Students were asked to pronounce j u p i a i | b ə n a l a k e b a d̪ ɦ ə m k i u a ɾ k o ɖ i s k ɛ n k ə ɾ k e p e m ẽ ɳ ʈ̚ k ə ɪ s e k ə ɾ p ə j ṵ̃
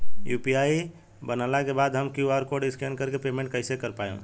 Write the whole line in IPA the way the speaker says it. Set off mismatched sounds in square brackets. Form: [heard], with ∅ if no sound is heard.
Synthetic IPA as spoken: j u p i a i | b ə n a l a k e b a d̪ ɦ ə m k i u a ɾ k o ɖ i s k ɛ n k ə ɾ k e p e m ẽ ɳ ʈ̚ k ə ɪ s e k ə ɾ p [a] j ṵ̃

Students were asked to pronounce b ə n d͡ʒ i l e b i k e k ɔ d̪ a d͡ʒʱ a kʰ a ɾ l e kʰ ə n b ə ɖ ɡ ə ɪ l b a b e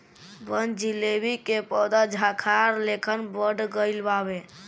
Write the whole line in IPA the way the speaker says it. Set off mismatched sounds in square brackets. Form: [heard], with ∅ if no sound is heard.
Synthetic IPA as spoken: b ə n d͡ʒ i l e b i k e [p] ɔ d̪ a d͡ʒʱ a kʰ a ɾ l e kʰ ə n b ə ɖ ɡ ə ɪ l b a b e

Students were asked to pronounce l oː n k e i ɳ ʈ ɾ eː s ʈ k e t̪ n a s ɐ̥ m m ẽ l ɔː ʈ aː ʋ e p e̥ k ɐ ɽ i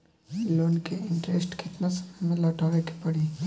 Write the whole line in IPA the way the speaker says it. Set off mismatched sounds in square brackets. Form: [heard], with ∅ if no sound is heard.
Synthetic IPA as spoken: l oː n k e [ɪ] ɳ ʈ ɾ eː s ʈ k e t̪ n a s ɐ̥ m m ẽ l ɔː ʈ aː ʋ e [k] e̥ [p] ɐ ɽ i

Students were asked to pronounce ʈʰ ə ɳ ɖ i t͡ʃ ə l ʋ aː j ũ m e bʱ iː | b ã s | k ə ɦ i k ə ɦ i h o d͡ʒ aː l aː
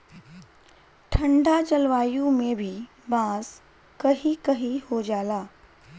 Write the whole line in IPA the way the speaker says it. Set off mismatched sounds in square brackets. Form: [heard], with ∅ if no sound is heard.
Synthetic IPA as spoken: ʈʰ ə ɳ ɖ [a] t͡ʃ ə l ʋ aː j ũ m e bʱ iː | b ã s | k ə ɦ i k ə ɦ i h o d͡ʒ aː l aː

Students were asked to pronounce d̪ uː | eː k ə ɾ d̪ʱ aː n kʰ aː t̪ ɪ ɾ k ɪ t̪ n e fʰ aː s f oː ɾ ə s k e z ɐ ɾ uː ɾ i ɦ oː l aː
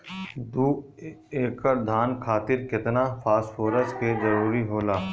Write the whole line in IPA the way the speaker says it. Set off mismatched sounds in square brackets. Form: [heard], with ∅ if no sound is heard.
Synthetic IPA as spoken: d̪ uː | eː k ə ɾ d̪ʱ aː n kʰ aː t̪ ɪ ɾ k ɪ t̪ n [a] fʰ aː s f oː ɾ ə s k e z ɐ ɾ uː ɾ i ɦ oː l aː

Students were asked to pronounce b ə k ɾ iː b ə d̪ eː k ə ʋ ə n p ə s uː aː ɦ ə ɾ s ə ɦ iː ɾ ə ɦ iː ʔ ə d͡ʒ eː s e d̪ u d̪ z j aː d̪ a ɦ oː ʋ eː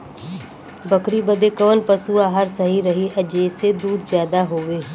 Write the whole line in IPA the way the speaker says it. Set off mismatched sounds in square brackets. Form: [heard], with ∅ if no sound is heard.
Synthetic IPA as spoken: b ə k ɾ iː b ə d̪ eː k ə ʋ ə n p ə s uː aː ɦ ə ɾ s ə ɦ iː ɾ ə ɦ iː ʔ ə d͡ʒ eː s e d̪ [uː] d̪ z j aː d̪ a ɦ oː ʋ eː

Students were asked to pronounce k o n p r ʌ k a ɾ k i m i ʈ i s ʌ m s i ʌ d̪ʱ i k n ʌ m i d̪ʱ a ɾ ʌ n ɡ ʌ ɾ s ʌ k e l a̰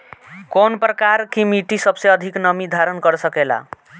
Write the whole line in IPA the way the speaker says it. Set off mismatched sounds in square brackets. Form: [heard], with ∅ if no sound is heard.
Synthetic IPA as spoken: k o n p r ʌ k a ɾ k i m i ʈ i s ʌ [b] s [e] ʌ d̪ʱ i k n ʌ m i d̪ʱ a ɾ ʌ n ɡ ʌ ɾ s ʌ k e l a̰

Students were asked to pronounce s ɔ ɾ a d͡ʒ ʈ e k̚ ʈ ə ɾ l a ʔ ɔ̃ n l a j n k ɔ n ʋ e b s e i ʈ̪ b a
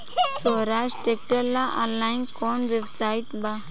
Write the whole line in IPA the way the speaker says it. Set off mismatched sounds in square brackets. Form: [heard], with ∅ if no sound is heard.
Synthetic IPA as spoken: s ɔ ɾ a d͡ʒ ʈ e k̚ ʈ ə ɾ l a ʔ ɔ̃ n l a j n k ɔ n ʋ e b s [a] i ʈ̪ b a

